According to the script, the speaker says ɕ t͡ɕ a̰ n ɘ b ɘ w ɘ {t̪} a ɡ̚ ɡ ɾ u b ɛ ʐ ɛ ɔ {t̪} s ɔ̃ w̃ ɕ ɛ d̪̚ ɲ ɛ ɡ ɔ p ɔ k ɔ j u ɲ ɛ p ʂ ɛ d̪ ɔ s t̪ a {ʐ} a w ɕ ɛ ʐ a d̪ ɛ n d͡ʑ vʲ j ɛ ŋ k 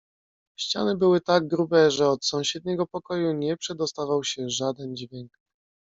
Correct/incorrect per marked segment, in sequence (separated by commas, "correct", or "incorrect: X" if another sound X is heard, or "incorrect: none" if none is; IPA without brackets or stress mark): correct, correct, incorrect: v